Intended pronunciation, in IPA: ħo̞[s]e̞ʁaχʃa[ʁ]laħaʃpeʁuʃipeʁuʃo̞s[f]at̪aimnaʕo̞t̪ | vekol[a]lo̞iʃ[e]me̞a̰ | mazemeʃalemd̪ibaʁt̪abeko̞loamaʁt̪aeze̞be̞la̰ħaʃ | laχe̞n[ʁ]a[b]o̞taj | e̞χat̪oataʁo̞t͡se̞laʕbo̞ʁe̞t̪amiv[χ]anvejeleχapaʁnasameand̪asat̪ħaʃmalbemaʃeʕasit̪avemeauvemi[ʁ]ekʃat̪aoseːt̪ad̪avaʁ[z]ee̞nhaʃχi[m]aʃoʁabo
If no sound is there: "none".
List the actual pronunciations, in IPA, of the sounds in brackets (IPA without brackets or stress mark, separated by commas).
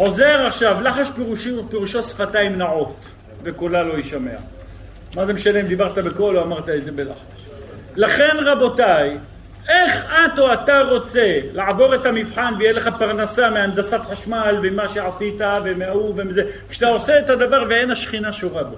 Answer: z, v, f, a, a, ʁ, b, ħ, z, v, n